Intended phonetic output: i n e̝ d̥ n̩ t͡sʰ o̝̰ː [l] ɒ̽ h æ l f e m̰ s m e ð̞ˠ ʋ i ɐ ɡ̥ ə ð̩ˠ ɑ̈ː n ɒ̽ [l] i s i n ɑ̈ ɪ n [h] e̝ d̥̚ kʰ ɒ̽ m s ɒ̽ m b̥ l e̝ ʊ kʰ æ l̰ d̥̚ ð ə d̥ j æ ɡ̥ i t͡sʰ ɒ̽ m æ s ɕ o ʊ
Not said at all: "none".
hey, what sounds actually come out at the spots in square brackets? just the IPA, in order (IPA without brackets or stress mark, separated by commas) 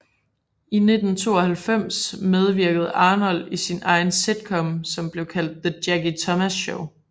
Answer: none, l, s